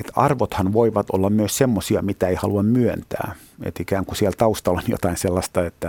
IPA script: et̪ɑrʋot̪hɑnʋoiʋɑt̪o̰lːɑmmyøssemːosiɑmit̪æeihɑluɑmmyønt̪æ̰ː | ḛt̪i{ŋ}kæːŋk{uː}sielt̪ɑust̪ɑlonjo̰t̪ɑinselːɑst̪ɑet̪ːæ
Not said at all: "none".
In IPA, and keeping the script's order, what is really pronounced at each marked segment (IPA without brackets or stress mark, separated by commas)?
none, u